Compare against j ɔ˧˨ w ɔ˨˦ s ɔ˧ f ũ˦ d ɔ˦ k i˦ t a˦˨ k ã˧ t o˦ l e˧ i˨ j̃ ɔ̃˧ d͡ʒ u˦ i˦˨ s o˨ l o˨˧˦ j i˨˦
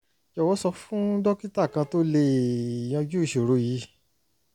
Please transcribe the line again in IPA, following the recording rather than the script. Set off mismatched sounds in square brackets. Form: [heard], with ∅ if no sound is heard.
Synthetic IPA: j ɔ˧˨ w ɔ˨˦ s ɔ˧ f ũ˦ d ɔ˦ k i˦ t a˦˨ k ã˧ t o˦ l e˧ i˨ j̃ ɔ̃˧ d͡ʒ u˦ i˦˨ [ʃ] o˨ [ɾ] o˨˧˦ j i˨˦